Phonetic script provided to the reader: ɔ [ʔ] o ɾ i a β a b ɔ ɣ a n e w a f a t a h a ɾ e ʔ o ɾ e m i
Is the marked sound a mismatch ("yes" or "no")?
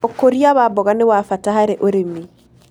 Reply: yes